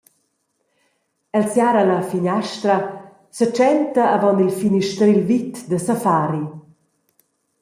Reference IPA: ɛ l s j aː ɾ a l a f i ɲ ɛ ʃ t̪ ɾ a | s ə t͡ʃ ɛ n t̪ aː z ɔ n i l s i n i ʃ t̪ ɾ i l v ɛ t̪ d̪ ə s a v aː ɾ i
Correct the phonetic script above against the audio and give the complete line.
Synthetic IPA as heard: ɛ l s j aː ɾ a l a f i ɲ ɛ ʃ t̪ ɾ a | s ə t͡ʃ ɛ n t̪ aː v ɔ n i l f i n i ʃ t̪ ɾ i l v i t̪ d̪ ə s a f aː ɾ i